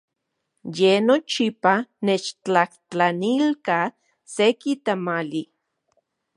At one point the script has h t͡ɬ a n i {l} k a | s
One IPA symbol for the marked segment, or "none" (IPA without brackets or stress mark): l